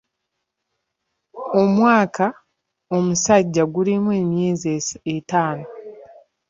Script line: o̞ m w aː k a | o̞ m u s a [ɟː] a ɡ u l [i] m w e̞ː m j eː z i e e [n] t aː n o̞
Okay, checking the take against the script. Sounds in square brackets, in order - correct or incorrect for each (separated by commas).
correct, correct, incorrect